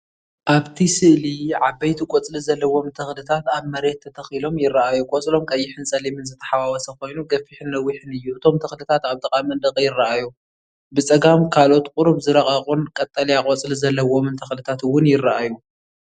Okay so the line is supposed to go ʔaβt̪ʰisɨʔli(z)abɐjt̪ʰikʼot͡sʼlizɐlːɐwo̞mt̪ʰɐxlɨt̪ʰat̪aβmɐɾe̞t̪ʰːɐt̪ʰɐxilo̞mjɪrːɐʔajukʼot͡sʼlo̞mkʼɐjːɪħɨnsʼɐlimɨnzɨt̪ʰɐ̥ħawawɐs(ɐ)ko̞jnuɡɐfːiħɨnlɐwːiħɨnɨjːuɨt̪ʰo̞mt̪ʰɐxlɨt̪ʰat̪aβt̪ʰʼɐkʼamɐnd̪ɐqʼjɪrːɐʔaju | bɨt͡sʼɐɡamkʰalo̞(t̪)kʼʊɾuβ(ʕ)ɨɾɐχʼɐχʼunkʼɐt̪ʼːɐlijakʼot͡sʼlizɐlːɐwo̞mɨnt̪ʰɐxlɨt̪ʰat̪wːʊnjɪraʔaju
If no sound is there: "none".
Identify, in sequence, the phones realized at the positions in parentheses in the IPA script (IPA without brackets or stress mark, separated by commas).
ʕ, ɐ, t̪, z